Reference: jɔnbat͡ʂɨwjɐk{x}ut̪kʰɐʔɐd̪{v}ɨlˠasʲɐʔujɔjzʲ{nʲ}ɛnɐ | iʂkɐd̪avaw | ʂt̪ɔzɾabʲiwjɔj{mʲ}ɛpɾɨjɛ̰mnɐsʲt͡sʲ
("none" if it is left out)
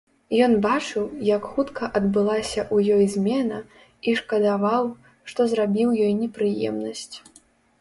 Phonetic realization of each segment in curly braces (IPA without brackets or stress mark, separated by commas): x, b, mʲ, nʲ